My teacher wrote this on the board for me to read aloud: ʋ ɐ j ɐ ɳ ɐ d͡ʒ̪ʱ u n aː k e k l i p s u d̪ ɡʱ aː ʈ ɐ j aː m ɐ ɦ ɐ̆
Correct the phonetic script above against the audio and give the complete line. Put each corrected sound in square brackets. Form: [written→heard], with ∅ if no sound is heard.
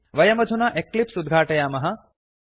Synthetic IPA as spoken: ʋ ɐ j ɐ [ɳ→m] ɐ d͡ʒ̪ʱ u n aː [k→ʔ] e k l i p s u d̪ ɡʱ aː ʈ ɐ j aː m ɐ ɦ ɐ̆